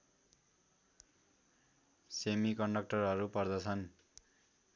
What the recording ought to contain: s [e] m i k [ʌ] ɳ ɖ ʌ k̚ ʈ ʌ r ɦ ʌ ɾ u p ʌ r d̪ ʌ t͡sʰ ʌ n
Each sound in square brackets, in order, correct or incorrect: correct, correct

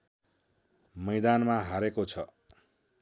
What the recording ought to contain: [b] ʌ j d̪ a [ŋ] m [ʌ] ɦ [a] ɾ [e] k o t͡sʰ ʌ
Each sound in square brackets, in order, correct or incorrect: incorrect: m, incorrect: n, incorrect: a, correct, correct

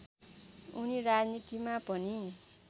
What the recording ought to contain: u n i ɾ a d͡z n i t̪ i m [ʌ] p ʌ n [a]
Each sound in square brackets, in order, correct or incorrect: incorrect: a, incorrect: i

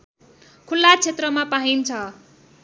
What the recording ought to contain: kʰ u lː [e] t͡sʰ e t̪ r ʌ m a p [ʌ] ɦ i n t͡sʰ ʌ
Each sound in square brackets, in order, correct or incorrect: incorrect: a, incorrect: a

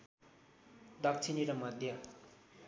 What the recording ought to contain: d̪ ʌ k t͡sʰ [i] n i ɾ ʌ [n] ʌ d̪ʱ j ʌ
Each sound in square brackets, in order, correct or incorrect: correct, incorrect: m

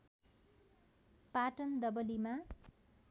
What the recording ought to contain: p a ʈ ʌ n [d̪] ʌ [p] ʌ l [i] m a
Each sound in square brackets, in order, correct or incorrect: correct, incorrect: b, correct

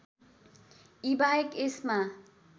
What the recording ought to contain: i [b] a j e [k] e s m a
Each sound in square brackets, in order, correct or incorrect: correct, correct

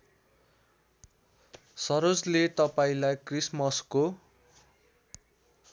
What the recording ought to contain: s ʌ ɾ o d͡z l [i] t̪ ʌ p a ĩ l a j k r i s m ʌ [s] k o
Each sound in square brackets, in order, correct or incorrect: incorrect: e, correct

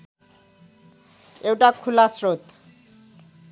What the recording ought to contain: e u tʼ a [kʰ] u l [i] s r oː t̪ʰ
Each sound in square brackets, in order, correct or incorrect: correct, incorrect: a

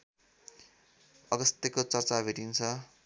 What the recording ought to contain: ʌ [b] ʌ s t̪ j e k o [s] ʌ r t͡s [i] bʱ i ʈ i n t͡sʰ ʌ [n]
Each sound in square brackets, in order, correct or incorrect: incorrect: ɡ, incorrect: t͡s, incorrect: a, incorrect: none

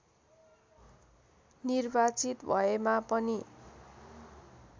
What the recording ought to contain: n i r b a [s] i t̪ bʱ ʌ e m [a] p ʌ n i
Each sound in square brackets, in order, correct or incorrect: incorrect: t͡s, correct

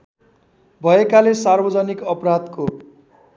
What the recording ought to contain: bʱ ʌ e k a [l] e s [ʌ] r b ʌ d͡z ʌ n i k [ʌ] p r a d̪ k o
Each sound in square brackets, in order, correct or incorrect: correct, incorrect: a, correct

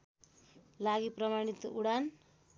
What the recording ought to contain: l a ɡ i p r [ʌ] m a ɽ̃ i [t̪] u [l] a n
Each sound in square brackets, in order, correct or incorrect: correct, correct, incorrect: ɽ

